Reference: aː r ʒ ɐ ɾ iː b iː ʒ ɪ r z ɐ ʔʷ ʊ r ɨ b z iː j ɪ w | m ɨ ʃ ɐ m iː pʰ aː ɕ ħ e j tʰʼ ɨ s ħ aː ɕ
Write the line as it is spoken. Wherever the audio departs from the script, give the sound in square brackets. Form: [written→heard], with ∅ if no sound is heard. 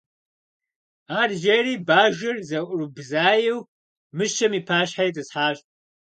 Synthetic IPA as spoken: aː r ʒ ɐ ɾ iː b [iː→aː] ʒ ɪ r z ɐ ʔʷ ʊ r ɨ b z [iː→aː] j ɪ w | m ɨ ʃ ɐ m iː pʰ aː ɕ ħ [e→a] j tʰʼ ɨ s ħ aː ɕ